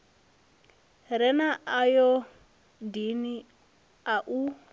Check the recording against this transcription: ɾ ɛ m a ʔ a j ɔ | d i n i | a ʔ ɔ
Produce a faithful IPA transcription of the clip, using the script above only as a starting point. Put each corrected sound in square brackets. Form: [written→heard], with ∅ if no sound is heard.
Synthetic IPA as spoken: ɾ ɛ [m→n] a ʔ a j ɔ | d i n i | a ʔ [ɔ→u]